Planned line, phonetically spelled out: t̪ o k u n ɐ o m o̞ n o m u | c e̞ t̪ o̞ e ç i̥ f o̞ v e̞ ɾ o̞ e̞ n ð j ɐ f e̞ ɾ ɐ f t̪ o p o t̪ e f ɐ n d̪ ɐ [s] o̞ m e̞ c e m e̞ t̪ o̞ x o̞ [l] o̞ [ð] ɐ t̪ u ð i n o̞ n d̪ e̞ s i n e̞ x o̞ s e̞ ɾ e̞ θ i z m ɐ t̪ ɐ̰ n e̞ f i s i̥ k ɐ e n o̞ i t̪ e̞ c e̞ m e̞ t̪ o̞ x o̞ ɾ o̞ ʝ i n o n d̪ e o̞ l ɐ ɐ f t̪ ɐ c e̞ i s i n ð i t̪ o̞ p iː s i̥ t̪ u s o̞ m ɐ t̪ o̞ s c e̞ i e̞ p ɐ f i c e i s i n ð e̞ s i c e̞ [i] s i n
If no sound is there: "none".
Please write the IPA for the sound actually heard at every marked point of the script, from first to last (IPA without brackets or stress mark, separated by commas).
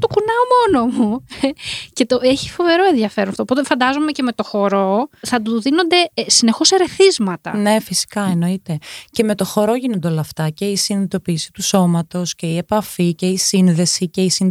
z, ɾ, θ, i